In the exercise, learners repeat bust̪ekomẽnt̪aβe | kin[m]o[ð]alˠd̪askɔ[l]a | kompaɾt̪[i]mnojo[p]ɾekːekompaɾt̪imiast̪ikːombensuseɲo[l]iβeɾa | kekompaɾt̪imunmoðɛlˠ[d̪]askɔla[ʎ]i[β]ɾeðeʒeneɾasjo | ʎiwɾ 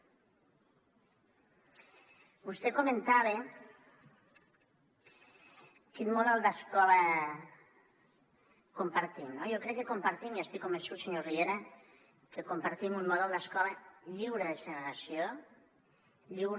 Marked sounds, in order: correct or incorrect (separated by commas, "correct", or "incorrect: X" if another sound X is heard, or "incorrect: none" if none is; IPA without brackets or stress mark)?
correct, correct, correct, correct, incorrect: k, incorrect: r, correct, correct, incorrect: w